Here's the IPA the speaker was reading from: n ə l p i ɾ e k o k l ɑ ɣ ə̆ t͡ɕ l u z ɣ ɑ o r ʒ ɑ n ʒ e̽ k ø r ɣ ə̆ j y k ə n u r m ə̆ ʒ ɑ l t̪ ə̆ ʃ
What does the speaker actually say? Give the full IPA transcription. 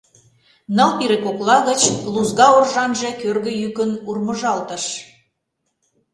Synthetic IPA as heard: n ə l p i ɾ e k o k l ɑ ɣ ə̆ t͡ɕ l u z ɣ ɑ o r ʒ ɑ n ʒ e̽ k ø r ɣ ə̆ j y k ə n u r m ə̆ ʒ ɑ l t̪ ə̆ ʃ